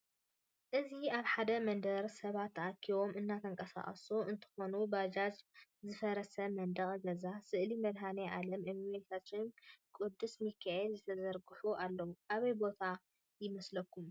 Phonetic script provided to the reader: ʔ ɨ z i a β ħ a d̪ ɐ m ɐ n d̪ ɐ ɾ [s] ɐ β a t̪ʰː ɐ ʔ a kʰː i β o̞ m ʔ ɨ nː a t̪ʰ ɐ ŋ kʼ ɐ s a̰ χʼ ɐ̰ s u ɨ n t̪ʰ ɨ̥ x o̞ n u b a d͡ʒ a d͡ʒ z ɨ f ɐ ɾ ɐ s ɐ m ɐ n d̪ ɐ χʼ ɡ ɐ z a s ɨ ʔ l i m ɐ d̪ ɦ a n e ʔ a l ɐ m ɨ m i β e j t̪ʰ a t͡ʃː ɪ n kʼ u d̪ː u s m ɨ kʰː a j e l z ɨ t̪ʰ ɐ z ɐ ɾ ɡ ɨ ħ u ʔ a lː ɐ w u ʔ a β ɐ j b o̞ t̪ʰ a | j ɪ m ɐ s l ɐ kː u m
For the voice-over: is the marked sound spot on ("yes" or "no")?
yes